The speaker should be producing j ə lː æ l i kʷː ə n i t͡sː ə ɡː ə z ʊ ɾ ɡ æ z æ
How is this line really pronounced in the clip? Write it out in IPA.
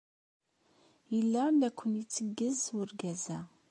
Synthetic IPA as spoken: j ə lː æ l æ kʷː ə n i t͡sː ə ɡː ə z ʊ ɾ ɡ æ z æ